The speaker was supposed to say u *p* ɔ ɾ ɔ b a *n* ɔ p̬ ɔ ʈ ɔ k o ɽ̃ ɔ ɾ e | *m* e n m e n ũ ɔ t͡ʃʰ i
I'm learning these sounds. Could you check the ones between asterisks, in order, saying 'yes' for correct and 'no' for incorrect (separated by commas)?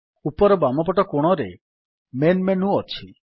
yes, no, yes